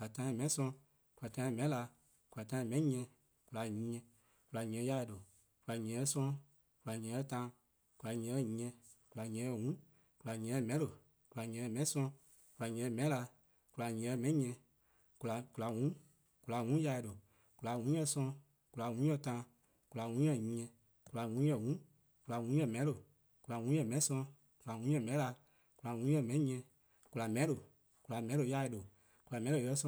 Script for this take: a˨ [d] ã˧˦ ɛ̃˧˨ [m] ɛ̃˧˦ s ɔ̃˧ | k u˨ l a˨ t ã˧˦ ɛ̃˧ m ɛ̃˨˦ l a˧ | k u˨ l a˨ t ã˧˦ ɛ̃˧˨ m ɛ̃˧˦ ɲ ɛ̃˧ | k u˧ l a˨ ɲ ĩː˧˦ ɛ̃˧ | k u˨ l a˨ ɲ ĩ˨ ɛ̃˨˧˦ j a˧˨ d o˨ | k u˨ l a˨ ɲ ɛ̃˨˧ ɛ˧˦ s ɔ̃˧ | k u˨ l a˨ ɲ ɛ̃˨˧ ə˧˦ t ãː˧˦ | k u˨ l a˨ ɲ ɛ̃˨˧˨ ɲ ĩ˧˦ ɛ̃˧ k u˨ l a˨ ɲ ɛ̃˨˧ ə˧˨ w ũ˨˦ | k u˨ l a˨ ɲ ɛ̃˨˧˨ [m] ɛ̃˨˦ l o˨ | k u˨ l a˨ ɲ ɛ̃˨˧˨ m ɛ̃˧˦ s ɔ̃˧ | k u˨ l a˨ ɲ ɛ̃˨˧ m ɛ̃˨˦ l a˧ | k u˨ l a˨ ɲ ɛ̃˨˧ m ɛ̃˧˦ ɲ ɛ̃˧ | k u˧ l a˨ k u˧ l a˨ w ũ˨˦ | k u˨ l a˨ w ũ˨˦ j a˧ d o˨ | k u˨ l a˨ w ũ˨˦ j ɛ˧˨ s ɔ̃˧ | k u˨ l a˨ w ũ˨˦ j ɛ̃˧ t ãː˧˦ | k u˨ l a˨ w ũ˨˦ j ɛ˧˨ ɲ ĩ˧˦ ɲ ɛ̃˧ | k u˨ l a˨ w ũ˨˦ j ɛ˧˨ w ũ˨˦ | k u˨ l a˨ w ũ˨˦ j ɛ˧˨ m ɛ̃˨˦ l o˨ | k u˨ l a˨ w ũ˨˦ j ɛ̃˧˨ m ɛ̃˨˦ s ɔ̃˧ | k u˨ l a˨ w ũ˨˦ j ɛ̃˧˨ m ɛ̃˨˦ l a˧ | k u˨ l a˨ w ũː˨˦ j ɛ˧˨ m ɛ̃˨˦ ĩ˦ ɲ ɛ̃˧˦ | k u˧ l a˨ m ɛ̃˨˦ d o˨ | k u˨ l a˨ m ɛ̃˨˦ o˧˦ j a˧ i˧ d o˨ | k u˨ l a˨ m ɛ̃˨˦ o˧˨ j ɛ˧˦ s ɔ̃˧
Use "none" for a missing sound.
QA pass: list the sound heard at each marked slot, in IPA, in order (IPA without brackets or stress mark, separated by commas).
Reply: t, m, m